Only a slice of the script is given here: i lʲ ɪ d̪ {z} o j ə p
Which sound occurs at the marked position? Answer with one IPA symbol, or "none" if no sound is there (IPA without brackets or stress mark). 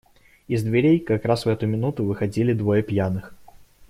v